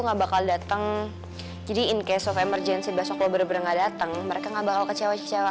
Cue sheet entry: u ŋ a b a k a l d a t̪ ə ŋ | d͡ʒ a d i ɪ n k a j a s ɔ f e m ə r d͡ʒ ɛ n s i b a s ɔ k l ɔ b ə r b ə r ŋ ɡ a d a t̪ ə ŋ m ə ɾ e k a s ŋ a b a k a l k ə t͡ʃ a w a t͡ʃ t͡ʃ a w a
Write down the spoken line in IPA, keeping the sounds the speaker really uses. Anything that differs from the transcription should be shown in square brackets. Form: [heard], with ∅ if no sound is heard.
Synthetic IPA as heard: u ŋ a b a k a l d a t̪ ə ŋ | d͡ʒ a d i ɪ n k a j a s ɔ f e m ə r d͡ʒ ɛ n s i b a s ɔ k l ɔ b ə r b ə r ŋ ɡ a d a t̪ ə ŋ m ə ɾ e k a [∅] ŋ a b a k a l k ə t͡ʃ a w a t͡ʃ t͡ʃ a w a